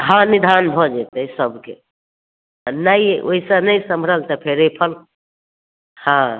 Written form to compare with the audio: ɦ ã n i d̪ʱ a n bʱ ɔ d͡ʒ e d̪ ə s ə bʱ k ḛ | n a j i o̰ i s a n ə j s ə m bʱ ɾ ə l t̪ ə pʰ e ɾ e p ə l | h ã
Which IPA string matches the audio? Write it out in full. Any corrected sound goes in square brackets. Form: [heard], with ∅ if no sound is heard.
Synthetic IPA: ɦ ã n i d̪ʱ a n bʱ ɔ d͡ʒ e [t̪] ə s ə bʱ k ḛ | n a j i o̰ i s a n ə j s ə m bʱ ɾ ə l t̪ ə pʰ e ɾ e [pʰ] ə l | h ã